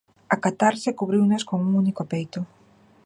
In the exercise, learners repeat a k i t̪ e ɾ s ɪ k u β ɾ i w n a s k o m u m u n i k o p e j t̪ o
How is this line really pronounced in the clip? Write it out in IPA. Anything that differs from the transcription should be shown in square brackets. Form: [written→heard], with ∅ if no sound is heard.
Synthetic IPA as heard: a k [i→a] t̪ [e→a] ɾ s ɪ k u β ɾ i w n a s k o [m→ŋ] u [m→ŋ] u n i k o p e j t̪ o